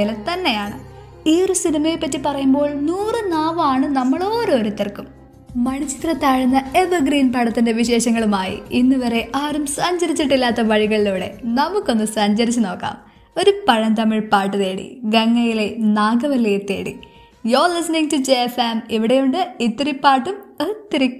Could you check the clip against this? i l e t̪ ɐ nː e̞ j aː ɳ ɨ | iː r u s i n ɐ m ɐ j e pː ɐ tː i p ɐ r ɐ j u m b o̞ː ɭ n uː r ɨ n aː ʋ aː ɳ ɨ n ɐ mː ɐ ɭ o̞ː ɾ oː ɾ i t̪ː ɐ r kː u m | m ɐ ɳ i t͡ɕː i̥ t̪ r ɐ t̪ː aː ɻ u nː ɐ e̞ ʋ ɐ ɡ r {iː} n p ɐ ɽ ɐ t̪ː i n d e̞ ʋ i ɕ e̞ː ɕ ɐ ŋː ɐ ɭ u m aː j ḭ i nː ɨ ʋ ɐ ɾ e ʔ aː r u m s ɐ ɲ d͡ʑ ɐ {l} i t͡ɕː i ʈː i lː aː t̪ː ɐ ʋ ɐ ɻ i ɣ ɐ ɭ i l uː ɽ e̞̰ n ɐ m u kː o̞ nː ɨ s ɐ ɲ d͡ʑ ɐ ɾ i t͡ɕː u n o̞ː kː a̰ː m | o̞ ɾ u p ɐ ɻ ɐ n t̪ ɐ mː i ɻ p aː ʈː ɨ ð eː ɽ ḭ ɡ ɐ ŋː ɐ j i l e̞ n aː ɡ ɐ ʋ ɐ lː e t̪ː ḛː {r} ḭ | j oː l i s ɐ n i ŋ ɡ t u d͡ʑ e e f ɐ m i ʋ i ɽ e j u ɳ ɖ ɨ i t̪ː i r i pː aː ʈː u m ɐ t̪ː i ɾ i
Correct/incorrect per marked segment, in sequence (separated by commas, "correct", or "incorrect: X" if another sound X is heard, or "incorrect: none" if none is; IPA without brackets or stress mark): correct, incorrect: ɾ, incorrect: ɽ